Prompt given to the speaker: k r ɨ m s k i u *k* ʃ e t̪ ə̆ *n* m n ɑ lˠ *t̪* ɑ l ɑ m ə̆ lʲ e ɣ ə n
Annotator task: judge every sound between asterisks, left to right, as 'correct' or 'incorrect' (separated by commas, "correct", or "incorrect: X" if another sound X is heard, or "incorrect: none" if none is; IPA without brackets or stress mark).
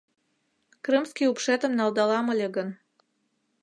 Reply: incorrect: p, incorrect: none, incorrect: d̪